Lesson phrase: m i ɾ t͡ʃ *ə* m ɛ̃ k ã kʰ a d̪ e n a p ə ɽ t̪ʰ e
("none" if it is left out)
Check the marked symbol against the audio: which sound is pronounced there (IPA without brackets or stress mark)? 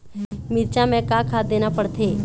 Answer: a